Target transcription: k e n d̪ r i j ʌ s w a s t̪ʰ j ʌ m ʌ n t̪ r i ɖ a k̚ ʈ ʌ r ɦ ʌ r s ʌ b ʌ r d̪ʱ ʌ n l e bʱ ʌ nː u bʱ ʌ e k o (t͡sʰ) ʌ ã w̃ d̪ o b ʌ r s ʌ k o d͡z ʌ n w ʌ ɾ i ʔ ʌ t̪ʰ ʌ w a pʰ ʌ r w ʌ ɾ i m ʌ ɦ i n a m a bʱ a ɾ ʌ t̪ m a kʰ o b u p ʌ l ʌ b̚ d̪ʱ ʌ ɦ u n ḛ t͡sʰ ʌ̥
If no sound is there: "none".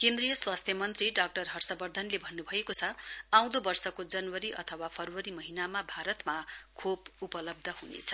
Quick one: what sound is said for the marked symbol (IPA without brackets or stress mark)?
t͡sʰ